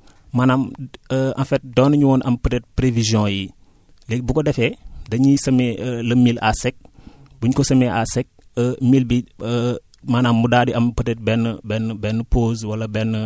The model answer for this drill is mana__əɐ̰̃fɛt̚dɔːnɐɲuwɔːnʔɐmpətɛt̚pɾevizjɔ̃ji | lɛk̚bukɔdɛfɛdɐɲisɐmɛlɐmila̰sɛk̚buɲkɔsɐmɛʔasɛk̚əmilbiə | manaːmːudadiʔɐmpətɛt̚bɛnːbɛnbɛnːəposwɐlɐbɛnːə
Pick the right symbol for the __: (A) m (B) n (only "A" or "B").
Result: A